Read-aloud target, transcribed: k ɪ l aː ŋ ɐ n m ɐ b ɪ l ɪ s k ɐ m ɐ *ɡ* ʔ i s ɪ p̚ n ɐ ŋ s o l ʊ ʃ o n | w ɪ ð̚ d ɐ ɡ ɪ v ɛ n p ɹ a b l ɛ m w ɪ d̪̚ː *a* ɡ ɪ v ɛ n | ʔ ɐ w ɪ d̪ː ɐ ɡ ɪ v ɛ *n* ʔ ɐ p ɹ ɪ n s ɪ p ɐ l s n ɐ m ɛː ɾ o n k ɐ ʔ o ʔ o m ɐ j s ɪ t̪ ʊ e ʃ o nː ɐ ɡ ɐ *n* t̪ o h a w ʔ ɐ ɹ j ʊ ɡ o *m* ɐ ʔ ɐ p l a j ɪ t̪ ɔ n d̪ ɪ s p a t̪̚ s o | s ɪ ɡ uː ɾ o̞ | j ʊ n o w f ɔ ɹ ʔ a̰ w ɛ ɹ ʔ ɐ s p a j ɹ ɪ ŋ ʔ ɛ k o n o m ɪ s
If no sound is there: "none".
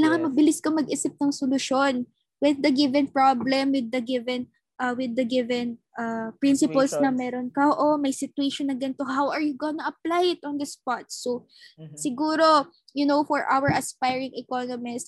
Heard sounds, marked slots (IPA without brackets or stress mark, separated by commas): ɡ, ɐ, n, n, n